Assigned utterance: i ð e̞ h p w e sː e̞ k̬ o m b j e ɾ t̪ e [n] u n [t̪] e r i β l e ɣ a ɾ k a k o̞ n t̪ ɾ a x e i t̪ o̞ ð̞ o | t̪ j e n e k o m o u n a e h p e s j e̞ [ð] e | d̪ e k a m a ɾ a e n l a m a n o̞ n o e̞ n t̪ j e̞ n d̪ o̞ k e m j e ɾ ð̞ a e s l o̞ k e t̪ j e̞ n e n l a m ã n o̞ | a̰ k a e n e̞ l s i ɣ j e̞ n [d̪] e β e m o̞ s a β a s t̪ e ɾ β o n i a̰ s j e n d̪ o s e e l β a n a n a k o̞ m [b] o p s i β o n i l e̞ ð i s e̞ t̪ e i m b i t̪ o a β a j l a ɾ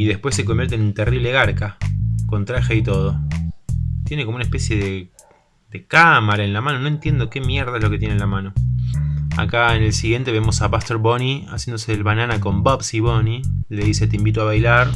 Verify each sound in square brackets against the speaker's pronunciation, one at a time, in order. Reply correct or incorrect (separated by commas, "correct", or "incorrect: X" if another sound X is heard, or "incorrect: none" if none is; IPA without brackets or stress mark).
correct, correct, correct, incorrect: t̪, correct